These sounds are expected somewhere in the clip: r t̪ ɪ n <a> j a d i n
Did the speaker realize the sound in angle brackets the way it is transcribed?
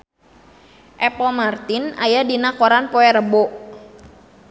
yes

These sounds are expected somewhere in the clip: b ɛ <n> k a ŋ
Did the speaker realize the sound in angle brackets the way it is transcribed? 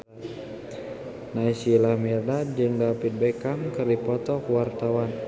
no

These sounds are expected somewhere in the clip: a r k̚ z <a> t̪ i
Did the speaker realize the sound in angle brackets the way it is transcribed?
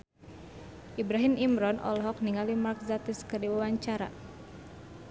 yes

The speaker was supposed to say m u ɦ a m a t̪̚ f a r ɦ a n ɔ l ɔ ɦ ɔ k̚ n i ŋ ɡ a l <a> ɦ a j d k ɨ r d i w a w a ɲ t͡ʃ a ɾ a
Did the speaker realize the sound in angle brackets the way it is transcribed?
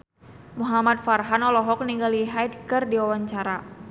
no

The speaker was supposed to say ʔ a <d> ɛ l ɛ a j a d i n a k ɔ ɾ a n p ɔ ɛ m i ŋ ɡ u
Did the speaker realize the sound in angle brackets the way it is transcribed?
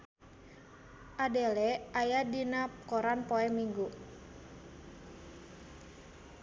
yes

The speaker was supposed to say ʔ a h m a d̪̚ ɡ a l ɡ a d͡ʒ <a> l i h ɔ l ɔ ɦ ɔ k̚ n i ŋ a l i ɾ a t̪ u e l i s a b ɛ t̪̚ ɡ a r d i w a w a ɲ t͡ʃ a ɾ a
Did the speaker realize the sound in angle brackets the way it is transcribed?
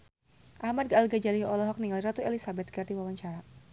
yes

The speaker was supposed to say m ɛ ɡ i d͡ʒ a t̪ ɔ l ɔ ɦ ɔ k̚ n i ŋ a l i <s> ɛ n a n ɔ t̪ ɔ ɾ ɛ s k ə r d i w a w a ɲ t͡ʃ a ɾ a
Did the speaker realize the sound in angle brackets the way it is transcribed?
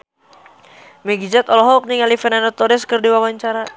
no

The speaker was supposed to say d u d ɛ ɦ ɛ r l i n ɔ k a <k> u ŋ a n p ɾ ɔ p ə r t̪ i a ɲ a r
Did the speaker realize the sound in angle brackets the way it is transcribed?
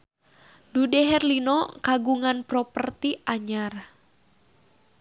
no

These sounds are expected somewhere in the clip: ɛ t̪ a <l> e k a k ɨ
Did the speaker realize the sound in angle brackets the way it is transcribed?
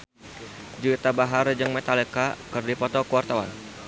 yes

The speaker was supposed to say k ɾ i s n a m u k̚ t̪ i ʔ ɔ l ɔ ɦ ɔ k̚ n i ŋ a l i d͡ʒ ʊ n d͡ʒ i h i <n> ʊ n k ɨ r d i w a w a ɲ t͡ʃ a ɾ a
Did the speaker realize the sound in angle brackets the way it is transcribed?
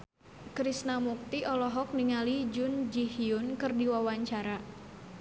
no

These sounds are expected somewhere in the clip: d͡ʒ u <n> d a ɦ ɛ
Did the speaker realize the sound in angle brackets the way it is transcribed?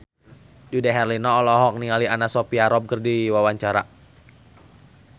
no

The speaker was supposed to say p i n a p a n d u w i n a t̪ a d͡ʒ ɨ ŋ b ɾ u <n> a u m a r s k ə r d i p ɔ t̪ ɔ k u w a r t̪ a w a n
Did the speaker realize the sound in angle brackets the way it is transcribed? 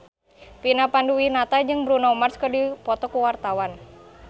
yes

